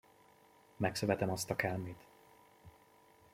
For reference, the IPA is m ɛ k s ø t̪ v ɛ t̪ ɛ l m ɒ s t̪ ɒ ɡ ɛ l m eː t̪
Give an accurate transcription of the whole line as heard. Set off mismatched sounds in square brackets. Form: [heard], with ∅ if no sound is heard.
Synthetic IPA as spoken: m ɛ k s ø [∅] v ɛ t̪ ɛ [∅] m ɒ s t̪ ɒ [k] ɛ l m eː t̪